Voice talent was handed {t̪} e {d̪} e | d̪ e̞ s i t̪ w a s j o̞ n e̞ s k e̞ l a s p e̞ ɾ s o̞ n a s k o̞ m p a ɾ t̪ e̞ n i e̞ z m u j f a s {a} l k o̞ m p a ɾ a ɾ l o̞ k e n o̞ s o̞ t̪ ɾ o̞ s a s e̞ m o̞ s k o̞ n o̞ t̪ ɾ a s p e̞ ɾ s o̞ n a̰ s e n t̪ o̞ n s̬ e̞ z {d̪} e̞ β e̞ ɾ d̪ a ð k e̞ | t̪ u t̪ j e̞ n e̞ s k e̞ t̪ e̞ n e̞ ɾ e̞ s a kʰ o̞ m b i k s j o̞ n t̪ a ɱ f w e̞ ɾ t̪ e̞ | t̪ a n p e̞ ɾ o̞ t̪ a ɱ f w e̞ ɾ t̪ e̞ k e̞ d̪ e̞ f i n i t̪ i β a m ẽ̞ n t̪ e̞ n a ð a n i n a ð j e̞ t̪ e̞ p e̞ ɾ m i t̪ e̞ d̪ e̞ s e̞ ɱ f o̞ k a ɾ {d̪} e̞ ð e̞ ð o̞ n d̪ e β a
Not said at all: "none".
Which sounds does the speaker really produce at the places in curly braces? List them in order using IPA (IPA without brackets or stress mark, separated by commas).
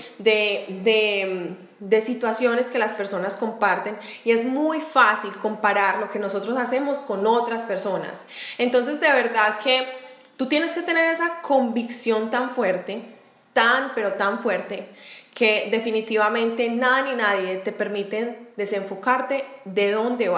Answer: d̪, d̪, i, d̪, t̪